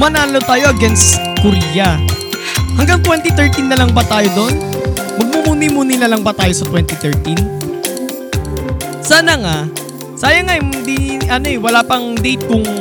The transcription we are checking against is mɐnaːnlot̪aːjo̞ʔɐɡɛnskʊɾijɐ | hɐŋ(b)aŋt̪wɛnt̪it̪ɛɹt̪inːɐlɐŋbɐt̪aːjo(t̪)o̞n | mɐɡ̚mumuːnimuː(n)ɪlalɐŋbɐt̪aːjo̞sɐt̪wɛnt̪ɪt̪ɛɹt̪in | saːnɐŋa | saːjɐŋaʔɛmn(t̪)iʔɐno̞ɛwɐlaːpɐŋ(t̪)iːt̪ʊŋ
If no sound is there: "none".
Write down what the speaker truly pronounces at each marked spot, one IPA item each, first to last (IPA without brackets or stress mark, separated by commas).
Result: ɡ, d̪, n, d̪, d̪